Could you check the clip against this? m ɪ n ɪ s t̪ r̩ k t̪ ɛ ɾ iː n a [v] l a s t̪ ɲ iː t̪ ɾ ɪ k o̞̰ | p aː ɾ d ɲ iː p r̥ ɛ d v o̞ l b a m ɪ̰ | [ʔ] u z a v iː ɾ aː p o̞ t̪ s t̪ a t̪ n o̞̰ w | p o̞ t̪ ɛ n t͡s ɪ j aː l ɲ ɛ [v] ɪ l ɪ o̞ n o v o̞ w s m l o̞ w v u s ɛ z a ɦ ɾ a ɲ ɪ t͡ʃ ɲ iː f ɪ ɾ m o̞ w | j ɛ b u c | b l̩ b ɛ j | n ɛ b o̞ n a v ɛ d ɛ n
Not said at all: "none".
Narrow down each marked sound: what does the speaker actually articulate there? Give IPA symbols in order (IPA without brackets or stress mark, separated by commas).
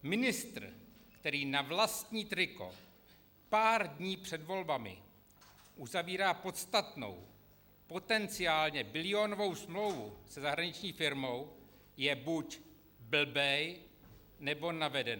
v, ʔ, b